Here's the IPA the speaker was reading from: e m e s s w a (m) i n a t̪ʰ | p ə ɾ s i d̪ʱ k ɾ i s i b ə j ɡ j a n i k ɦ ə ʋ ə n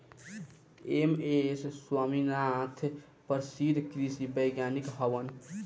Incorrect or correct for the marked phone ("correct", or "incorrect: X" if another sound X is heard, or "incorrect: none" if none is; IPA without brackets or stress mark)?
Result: correct